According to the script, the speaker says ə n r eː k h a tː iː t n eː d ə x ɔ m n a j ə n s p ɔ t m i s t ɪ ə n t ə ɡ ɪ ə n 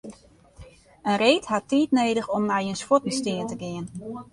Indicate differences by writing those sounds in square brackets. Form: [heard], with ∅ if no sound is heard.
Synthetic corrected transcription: ə n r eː [t] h a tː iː t n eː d ə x ɔ m n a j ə n s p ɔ t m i s t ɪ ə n t ə ɡ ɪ ə n

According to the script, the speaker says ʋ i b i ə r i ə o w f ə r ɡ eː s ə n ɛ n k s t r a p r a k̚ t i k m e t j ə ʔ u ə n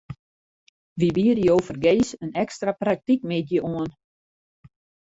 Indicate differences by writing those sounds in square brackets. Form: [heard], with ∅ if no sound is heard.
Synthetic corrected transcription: ʋ i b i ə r [j] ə o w f ə r ɡ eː s ə n ɛ [∅] k s t r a p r a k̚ t i k m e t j ə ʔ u ə n

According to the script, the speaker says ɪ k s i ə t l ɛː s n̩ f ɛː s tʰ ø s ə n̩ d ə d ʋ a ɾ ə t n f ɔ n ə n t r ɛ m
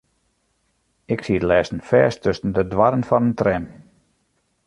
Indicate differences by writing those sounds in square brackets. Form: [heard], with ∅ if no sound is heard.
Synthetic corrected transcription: ɪ k s i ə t l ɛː s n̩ f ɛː s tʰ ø s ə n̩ d ə d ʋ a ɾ ə [∅] n f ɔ n ə n t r ɛ m

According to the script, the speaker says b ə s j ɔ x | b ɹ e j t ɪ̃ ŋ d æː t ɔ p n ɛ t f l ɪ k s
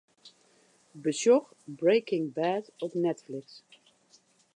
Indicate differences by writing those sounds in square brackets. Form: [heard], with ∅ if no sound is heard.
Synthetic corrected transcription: b ə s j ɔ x | b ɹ e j [k] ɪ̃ ŋ [b] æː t ɔ p n ɛ t f l ɪ k s

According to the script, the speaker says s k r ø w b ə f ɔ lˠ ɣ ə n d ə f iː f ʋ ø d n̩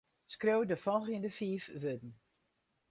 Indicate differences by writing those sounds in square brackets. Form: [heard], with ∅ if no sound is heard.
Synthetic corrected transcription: s k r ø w [d] ə f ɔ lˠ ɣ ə n d ə f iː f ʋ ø d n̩

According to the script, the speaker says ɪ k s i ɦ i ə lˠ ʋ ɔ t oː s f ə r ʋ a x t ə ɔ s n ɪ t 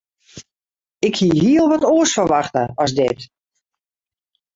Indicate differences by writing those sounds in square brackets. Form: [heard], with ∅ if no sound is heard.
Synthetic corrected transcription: ɪ k [h] i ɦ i ə lˠ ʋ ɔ t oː s f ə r ʋ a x t ə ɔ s [d] ɪ t

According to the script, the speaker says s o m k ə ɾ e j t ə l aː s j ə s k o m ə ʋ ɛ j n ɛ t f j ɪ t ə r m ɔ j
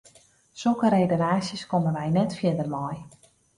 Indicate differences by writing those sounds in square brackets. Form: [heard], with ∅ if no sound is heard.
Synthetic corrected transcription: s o [∅] k ə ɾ e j [d] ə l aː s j ə s k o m ə ʋ ɛ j n ɛ t f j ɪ [d] ə r m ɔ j

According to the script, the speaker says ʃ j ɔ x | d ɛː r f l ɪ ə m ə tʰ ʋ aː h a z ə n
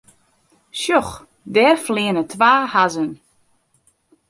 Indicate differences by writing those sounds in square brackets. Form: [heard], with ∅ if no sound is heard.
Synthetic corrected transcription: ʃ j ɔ x | d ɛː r f l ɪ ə [n] ə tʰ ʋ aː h a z ə n

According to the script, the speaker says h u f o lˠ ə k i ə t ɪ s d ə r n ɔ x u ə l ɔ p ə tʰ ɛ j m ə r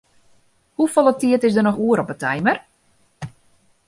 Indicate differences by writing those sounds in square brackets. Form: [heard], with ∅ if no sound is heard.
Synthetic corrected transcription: h u f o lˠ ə [t] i ə t ɪ s d ə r n ɔ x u ə [ɾ] ɔ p ə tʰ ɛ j m ə r

